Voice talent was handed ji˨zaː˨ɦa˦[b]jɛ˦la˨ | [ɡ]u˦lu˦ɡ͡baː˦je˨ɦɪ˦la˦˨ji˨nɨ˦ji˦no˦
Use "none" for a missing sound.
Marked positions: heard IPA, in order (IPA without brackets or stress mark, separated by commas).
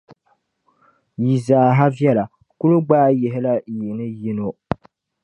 v, k